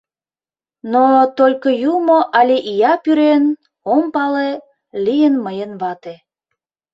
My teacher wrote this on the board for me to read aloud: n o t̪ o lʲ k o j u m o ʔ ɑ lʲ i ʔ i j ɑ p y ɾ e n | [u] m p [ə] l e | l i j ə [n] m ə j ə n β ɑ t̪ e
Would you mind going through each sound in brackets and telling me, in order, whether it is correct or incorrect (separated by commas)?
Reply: incorrect, incorrect, correct